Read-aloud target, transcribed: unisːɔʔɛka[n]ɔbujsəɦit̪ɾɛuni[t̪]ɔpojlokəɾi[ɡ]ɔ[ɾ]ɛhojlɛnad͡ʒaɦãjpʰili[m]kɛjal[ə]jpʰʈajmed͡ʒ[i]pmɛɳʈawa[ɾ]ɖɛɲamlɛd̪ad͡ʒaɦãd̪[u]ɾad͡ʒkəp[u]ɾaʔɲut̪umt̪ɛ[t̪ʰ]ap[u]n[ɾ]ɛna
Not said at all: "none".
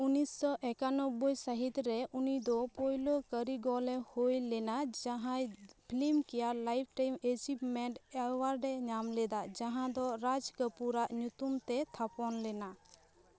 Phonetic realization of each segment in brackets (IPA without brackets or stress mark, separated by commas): n, d̪, ɡ, l, m, a, i, ɾ, ɔ, u, t̪ʰ, ɔ, l